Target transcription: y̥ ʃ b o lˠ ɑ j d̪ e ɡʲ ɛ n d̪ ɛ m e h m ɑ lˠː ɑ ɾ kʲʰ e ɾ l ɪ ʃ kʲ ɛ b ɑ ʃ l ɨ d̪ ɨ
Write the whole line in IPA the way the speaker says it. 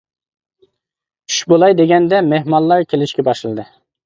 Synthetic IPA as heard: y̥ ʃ b o lˠ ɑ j d̪ e ɡʲ ɛ n d̪ ɛ m e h m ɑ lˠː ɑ ɾ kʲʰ e l ɪ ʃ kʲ ɛ b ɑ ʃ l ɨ d̪ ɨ

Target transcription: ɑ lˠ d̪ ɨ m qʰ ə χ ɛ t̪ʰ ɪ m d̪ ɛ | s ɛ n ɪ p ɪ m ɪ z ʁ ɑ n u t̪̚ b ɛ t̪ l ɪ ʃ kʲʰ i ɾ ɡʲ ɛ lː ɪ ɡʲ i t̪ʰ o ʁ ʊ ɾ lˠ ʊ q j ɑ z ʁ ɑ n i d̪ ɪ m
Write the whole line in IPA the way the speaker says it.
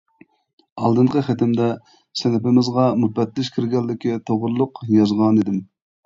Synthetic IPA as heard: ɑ lˠ d̪ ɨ ɴ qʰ ə χ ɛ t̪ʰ ɪ m d̪ ɛ | s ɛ n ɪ p ɪ m ɪ z ʁ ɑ m u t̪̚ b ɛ t̪ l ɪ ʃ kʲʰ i ɾ ɡʲ ɛ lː ɪ kʲ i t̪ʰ o ʁ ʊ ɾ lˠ ʊ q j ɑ z ʁ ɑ n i d̪ ɪ m

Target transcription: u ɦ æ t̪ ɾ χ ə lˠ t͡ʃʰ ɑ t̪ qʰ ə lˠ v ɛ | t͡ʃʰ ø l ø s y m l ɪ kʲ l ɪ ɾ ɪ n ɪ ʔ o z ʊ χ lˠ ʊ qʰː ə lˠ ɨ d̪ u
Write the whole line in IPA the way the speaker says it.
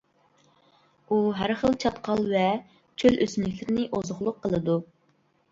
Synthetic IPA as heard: u ɦ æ ɾ χ ə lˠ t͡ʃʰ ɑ t̪ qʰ ɑ lˠ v ɛ | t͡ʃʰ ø l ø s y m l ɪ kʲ l ɪ ɾ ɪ n ɪ ʔ o z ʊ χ lˠ ʊ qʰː ə lˠ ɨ d̪ u

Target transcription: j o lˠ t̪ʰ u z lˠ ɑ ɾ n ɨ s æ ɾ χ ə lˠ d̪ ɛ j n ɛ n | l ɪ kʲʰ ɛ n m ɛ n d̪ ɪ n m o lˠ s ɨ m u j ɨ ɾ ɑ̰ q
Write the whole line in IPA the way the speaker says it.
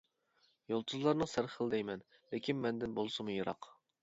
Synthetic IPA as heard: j o lˠ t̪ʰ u z lˠ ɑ ɾ n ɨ s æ ɾ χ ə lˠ d̪ ɛ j m ɛ n | l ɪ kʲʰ i n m ɛ n d̪ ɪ n b o lˠ s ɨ m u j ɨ ɾ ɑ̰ q

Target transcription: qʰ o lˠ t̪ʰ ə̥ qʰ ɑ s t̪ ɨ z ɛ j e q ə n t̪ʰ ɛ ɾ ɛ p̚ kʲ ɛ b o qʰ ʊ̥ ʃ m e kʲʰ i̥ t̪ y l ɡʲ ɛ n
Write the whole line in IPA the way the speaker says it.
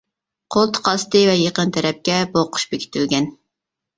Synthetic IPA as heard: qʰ o lˠ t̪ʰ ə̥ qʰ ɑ s t̪ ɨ v ɛ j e q ə n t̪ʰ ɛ ɾ ɛ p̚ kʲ ɛ b o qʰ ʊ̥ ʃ b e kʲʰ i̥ t̪ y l ɡʲ ɛ n

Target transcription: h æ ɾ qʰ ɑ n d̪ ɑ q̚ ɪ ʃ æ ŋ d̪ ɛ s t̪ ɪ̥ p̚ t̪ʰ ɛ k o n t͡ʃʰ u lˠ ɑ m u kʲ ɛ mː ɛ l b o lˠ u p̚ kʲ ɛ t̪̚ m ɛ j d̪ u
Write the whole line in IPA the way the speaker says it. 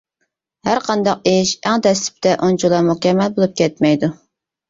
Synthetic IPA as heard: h æ ɾ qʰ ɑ n d̪ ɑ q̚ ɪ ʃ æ ŋ d̪ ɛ s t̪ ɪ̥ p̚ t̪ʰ ɛ ʔ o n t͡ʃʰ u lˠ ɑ m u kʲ ɛ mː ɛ l b o lˠ u p̚ kʲ ɛ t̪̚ m ɛ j d̪ u

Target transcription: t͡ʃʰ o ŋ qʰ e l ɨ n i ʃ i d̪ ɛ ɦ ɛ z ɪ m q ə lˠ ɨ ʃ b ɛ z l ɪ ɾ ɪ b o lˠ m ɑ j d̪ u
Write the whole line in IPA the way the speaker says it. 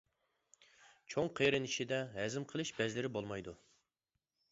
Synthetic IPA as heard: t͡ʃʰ o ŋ qʰ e ɾ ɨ n i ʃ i d̪ ɛ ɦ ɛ z ɪ m qʰ ə lˠ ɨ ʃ b ɛ z l ɪ ɾ ɪ b o lˠ m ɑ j d̪ u

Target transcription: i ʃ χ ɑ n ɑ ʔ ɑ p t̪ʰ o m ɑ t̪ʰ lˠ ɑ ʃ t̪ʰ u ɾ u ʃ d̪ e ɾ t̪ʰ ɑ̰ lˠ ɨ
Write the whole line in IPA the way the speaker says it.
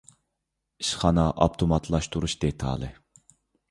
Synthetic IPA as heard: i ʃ χ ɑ n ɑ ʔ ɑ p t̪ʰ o m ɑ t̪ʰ lˠ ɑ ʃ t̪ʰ u ɾ u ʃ d̪ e t̪ʰ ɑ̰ lˠ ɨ

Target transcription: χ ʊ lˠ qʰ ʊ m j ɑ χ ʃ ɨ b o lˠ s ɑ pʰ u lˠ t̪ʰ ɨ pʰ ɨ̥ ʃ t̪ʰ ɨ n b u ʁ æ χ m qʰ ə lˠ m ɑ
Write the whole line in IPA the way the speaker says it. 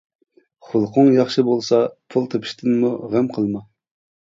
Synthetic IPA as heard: χ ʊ lˠ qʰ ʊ ŋ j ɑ χ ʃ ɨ b o lˠ s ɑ pʰ u lˠ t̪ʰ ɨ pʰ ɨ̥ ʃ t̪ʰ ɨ n m u ʁ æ m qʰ ə lˠ m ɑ

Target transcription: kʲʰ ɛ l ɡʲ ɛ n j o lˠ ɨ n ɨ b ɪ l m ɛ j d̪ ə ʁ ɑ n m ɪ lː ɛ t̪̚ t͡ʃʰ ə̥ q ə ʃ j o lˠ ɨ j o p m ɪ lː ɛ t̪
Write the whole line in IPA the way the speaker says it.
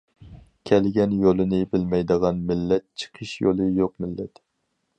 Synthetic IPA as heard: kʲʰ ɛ l ɡʲ ɛ n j o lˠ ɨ n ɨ b ɪ l m ɛ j d̪ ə ʁ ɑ n m ɪ lː ɛ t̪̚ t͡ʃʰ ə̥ qʰ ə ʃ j o lˠ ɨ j o q m ɪ lː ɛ t̪

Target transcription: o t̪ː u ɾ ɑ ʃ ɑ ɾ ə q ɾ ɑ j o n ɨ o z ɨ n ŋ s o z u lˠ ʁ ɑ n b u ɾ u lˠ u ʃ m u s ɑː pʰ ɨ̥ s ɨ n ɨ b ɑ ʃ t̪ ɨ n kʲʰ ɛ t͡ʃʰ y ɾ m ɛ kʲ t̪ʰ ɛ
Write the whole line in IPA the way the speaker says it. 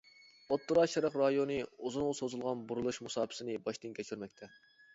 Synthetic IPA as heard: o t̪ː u ɾ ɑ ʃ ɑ ɾ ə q ɾ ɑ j o n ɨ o z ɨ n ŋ s o z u lˠ ʁ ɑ n b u ɾ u lˠ u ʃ m u s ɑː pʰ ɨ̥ s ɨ n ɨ b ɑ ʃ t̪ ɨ n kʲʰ ɛ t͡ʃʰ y ɾ m ɛ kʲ t̪ʰ ɛ

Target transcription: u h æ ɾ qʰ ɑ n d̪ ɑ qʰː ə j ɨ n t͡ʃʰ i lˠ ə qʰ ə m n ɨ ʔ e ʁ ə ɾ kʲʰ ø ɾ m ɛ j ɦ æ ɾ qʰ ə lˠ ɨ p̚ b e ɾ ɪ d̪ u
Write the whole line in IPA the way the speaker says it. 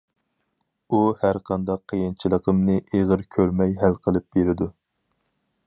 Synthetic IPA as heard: u h æ ɾ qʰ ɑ n d̪ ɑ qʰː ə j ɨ n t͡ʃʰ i lˠ ə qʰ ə m n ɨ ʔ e ʁ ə ɾ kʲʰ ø ɾ m ɛ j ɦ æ l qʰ ə lˠ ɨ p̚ b e ɾ ɪ d̪ u

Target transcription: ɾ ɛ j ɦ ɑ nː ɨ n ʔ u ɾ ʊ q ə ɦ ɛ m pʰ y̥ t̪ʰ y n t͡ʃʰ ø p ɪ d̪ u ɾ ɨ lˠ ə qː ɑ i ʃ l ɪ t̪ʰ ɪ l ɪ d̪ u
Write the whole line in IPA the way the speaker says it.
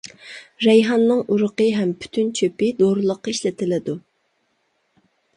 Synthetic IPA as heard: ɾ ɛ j ɦ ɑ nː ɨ ŋ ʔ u ɾ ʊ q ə ɦ ɛ m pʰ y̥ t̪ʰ y n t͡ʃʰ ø p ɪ d̪ o ɾ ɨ lˠ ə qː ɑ i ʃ l ɪ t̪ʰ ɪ l ɪ d̪ u

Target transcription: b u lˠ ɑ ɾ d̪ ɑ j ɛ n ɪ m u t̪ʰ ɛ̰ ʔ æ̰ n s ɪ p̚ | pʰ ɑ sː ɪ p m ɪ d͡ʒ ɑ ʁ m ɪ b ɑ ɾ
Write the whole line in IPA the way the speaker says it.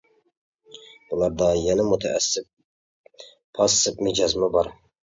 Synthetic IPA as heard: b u lˠ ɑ ɾ d̪ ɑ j ɛ n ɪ m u t̪ʰ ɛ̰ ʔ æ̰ s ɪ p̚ | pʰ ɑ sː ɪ p m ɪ d͡ʒ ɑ z m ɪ b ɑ ɾ

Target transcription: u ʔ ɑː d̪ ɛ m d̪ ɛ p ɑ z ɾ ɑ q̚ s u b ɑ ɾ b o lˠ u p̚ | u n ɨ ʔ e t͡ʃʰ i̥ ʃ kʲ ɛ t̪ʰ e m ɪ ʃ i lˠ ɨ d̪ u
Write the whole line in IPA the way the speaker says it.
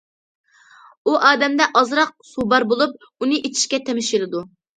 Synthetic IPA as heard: u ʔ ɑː d̪ ɛ m d̪ ɛ ʔ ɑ z ɾ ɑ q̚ s u b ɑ ɾ b o lˠ u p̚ | u n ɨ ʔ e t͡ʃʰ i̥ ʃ kʲ ɛ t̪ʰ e m ɪ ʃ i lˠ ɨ d̪ u

